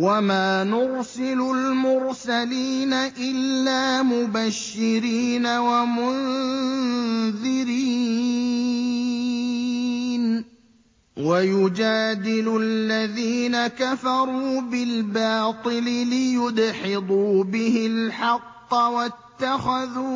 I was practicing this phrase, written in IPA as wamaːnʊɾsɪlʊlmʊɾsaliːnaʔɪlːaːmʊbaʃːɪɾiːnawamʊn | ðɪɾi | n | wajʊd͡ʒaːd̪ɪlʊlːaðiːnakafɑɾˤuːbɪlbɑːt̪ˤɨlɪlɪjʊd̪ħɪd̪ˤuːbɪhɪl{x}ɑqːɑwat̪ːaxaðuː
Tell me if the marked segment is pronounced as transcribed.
no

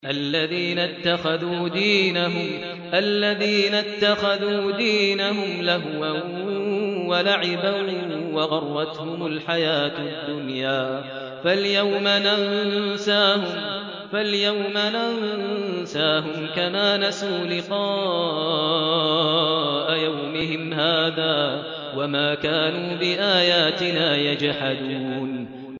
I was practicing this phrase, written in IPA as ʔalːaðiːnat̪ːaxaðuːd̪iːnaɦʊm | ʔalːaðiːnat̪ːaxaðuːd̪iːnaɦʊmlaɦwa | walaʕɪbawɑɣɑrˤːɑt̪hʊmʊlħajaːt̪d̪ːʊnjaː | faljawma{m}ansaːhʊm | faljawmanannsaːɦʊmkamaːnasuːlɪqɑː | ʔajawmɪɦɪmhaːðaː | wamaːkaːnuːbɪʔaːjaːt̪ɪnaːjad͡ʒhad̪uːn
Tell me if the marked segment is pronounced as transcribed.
no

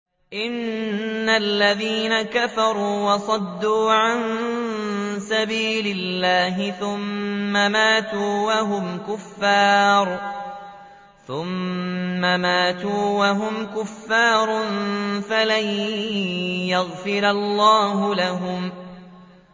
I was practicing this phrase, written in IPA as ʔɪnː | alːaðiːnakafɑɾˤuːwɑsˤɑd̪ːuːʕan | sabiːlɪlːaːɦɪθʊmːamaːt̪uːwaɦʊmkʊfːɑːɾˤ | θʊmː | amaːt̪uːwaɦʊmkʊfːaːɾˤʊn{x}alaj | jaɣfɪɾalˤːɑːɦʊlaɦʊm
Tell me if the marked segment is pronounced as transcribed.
no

